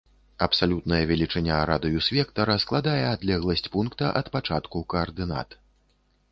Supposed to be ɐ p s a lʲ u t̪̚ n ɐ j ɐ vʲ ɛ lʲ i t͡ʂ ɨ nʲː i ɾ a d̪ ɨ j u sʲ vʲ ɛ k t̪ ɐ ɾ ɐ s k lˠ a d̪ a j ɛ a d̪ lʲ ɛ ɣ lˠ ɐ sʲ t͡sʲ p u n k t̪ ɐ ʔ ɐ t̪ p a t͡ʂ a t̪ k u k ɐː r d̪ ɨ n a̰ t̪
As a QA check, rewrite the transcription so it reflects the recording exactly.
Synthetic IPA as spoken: ɐ p s a lʲ u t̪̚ n ɐ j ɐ vʲ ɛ lʲ i t͡ʂ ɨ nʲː a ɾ a d̪ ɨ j u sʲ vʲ ɛ k t̪ ɐ ɾ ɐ s k lˠ a d̪ a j ɛ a d̪ lʲ ɛ ɣ lˠ ɐ sʲ t͡sʲ p u n k t̪ ɐ ʔ ɐ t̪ p a t͡ʂ a t̪ k u k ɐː r d̪ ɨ n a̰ t̪